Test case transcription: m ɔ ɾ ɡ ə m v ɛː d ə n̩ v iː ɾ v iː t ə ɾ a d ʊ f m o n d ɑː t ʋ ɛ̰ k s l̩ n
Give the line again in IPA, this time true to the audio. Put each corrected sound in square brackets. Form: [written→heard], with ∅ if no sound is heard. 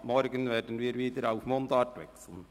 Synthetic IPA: m ɔ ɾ ɡ ə [m→n] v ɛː d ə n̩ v iː ɾ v iː [t→d] ə ɾ a [d→∅] ʊ f m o n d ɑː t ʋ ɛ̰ k s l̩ n